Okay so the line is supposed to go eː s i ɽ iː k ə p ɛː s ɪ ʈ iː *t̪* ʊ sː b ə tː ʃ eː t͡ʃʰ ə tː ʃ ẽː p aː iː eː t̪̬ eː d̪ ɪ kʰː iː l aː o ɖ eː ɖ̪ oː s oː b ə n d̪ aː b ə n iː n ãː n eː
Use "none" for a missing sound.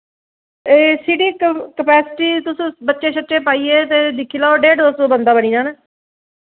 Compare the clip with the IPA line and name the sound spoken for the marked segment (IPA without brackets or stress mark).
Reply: t̪